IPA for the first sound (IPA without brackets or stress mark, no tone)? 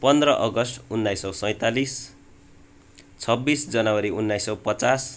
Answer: p